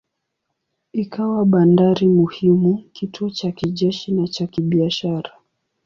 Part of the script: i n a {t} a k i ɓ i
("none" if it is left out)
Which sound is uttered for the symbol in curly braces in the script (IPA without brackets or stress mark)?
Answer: t͡ʃ